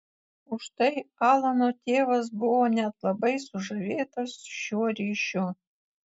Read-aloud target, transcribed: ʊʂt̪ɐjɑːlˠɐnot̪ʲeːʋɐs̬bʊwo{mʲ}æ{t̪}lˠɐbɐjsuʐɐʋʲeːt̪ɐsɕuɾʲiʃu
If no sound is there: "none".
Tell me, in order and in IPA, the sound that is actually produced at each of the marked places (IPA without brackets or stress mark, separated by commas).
nʲ, t̪